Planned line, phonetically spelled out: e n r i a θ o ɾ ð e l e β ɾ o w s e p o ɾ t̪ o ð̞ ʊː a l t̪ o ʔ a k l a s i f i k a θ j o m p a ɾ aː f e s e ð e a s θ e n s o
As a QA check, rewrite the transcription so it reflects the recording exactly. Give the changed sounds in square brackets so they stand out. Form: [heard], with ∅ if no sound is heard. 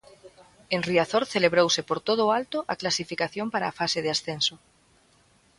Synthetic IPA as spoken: e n r i a θ o ɾ [θ] e l e β ɾ o w s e p o ɾ t̪ o ð̞ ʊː a l t̪ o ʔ a k l a s i f i k a θ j o m p a ɾ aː f [a] s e ð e a s θ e n s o